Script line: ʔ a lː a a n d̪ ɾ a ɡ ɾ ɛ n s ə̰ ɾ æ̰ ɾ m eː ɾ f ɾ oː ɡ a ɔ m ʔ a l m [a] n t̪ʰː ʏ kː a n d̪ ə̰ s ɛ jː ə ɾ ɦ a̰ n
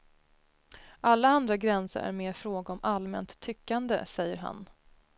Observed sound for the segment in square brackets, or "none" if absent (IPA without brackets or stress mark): ɛ